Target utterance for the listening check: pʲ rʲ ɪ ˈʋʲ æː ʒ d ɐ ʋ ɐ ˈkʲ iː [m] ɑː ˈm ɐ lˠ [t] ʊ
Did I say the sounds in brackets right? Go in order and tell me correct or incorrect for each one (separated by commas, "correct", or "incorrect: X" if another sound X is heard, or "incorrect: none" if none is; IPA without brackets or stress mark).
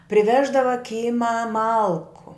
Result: correct, incorrect: k